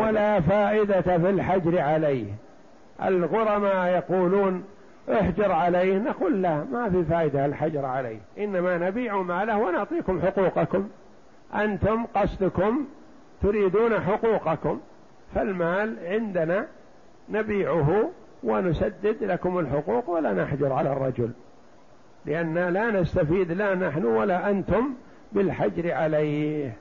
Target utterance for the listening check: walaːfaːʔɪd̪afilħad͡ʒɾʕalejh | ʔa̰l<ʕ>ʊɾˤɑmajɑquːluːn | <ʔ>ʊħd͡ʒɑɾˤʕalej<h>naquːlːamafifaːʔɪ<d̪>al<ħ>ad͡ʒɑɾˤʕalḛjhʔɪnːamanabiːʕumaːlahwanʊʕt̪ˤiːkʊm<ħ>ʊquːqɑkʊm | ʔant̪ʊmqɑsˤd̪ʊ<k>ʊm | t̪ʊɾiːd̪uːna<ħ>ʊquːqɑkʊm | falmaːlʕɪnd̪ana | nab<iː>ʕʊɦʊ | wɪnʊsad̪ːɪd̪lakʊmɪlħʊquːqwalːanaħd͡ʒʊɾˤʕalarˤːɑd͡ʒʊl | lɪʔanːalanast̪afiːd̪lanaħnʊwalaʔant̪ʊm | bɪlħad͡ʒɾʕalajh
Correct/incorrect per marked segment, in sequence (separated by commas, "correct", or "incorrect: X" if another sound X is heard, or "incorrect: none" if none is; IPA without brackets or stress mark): incorrect: ɣ, correct, correct, correct, correct, correct, correct, correct, correct